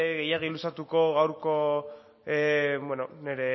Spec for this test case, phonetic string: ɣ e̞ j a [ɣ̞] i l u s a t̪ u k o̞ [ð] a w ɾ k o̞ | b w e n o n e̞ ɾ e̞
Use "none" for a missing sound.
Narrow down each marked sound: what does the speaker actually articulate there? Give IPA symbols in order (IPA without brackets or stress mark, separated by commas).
ɣ̞, ɣ